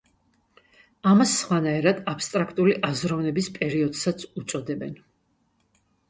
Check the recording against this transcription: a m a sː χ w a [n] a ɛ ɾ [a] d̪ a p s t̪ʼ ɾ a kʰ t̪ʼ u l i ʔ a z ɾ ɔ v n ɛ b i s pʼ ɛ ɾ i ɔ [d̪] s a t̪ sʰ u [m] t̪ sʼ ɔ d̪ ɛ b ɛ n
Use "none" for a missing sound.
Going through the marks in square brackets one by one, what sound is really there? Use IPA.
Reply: n, a, d̪, none

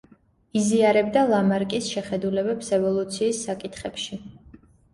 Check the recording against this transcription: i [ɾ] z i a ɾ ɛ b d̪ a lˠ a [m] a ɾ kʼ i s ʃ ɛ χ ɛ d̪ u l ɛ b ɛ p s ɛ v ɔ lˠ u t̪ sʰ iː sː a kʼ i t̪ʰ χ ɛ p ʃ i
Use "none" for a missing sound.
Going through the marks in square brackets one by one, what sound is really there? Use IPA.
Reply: none, m

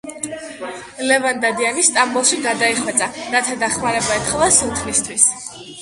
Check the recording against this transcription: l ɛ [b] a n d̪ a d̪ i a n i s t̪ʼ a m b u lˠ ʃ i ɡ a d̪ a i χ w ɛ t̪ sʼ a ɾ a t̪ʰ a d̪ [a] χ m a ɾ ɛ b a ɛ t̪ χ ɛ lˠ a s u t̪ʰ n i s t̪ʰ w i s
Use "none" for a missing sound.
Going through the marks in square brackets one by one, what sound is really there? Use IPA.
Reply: v, a

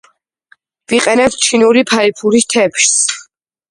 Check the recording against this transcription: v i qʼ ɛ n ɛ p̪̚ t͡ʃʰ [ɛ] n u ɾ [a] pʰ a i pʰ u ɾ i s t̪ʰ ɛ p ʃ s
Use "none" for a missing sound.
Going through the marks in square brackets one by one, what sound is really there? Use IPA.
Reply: i, i

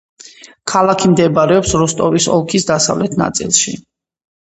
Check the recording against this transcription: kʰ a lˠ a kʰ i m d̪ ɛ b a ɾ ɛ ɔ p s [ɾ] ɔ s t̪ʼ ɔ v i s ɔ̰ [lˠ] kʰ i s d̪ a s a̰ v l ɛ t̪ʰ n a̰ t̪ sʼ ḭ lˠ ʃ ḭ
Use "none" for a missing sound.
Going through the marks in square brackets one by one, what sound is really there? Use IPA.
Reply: ɾ, lˠ

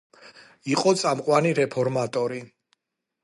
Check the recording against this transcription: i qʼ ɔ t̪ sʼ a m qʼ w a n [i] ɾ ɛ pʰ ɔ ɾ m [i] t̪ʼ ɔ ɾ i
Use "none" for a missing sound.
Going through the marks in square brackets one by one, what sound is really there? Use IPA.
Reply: i, a

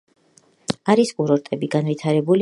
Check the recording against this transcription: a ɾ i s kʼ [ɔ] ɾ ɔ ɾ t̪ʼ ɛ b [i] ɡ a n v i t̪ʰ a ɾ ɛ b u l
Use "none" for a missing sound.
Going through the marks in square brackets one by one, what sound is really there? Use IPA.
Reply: u, i

